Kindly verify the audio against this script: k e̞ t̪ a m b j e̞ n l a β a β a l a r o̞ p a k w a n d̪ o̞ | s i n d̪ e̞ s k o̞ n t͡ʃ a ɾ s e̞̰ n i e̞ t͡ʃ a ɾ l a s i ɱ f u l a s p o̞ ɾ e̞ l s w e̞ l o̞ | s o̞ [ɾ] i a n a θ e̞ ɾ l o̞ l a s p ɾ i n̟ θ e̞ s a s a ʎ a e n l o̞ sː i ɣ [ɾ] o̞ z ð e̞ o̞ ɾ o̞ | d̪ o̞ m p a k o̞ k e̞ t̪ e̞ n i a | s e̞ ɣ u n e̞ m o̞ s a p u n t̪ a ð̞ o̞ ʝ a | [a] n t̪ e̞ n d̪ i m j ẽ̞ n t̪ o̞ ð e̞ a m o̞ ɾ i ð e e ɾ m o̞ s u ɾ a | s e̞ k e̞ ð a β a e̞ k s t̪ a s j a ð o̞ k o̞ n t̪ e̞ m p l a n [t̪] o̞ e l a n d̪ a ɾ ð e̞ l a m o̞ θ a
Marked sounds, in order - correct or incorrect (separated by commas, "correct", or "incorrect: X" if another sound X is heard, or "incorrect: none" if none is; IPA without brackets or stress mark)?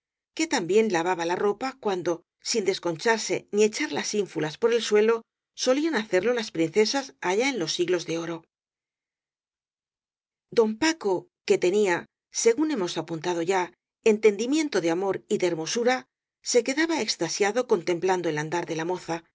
incorrect: l, incorrect: l, incorrect: e, incorrect: d̪